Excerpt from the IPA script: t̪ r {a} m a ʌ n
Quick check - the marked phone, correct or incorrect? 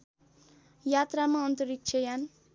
correct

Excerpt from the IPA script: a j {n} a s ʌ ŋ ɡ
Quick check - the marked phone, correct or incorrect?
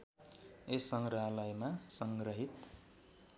incorrect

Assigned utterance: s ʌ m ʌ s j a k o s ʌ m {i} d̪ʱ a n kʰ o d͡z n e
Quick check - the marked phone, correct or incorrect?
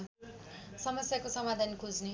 incorrect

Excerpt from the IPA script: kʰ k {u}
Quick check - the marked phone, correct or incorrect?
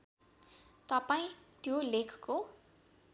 incorrect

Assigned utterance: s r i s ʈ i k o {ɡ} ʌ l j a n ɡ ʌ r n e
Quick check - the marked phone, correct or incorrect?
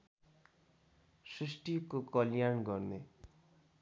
incorrect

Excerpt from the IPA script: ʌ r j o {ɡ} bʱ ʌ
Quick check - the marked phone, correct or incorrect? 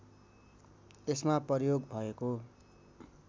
correct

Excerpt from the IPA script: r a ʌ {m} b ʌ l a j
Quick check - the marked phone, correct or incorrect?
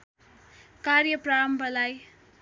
correct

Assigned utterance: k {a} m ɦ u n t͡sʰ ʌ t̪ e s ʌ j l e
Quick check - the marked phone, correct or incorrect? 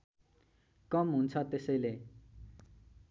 incorrect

